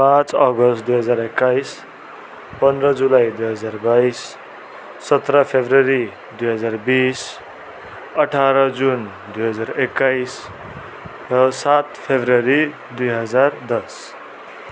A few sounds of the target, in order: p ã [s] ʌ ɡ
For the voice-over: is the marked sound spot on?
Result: no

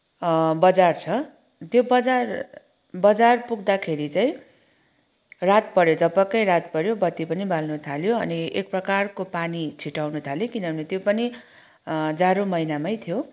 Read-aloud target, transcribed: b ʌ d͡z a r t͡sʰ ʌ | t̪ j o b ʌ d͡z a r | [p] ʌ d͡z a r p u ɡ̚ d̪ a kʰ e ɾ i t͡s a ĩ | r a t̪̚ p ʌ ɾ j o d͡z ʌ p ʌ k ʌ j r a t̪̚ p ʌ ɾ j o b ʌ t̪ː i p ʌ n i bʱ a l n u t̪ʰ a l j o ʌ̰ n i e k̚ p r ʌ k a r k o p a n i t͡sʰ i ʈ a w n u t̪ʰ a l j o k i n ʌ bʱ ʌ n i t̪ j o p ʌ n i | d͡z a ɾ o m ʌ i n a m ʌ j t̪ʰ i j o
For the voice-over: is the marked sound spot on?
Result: no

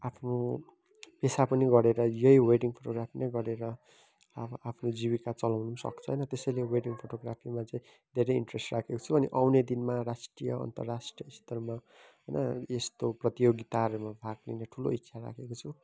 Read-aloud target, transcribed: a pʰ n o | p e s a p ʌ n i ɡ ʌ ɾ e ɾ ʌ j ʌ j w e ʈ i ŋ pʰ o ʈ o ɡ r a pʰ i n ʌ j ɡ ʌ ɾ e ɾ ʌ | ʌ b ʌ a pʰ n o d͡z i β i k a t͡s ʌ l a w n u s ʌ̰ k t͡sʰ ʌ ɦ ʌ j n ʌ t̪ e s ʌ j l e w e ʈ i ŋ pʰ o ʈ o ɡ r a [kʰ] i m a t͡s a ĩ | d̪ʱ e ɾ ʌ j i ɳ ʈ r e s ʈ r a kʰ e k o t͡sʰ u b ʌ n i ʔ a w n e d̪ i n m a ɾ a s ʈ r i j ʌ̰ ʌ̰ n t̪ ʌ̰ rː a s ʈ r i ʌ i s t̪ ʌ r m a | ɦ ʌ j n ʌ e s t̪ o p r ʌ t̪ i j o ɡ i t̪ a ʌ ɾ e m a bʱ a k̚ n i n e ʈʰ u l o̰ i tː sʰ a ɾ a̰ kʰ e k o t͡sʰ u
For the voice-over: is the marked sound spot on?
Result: no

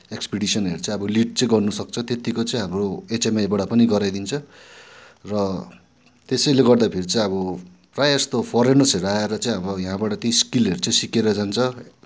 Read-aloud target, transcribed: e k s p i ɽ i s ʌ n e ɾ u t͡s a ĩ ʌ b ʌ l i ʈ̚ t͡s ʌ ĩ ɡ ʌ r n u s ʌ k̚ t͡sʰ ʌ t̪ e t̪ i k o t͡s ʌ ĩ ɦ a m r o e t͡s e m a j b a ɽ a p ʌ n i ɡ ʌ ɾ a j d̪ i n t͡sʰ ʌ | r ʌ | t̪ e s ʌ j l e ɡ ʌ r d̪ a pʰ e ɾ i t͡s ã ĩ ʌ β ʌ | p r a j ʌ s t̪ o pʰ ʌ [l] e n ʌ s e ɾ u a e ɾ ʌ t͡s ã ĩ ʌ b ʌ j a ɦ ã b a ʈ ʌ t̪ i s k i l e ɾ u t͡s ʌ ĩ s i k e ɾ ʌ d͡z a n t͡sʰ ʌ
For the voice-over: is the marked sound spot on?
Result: no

